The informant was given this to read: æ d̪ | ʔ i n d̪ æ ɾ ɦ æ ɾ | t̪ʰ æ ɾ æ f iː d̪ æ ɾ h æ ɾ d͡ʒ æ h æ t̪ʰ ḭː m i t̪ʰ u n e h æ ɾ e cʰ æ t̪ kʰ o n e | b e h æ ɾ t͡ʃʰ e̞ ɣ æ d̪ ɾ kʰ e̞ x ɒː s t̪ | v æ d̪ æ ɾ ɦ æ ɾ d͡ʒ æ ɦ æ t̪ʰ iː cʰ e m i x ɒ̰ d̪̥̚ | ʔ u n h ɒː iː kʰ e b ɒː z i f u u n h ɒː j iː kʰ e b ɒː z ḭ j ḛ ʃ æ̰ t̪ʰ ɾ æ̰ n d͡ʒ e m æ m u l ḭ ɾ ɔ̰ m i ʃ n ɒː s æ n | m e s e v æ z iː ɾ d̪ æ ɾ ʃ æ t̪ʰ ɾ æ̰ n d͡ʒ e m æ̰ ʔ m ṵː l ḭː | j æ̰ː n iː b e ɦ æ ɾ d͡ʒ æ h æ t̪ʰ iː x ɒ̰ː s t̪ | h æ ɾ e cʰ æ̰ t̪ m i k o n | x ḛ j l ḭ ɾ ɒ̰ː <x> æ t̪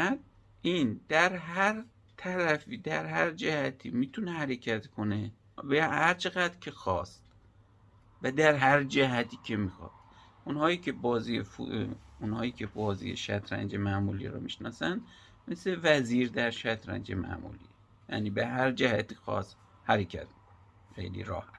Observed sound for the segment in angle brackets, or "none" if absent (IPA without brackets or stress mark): h